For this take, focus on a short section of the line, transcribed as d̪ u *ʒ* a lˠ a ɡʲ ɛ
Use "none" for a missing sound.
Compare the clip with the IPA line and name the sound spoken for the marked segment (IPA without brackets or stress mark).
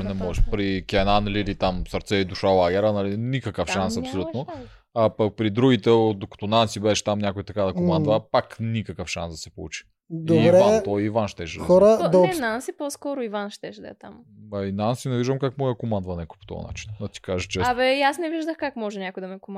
ʃ